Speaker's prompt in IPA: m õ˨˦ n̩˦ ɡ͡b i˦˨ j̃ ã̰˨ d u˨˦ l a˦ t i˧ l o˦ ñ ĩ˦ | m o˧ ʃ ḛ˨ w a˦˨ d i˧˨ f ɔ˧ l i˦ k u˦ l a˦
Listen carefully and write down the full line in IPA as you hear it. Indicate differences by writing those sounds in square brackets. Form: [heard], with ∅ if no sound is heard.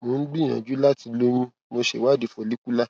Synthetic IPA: m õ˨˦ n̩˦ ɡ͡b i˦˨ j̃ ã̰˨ [d͡ʒ] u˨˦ l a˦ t i˧ l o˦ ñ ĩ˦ | m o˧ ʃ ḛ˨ w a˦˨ d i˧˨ f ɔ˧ l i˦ k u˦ l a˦